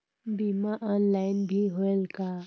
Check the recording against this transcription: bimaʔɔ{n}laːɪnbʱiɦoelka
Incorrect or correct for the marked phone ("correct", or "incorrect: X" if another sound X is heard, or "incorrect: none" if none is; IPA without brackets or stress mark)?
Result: correct